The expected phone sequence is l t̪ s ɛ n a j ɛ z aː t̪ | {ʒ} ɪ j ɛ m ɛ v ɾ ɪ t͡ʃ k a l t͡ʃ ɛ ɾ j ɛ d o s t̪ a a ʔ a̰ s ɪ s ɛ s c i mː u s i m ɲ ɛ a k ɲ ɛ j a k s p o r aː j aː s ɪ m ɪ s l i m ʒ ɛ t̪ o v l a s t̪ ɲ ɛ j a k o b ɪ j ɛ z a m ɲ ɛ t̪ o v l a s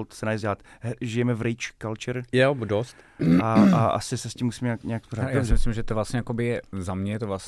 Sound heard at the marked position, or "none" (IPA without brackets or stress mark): ʒ